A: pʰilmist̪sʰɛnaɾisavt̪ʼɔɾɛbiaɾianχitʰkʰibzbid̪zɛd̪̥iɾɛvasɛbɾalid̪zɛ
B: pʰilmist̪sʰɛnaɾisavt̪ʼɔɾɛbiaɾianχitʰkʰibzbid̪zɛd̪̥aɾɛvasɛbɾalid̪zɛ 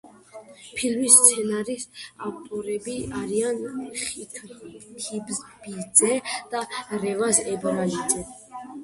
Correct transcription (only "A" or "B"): B